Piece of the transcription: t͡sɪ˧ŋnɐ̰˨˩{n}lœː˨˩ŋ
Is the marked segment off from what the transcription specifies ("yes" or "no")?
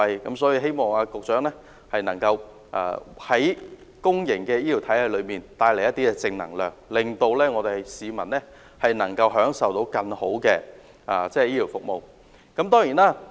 yes